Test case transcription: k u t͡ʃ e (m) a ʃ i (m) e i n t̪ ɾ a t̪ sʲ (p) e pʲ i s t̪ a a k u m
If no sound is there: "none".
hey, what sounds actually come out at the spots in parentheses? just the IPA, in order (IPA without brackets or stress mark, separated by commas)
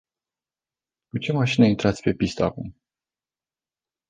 m, n, p